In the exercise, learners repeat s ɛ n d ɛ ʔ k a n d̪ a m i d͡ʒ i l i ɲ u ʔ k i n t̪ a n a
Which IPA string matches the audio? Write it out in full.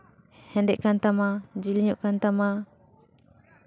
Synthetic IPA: h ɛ n d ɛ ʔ k a n t̪ a m a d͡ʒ i l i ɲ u ʔ k a n t̪ a m a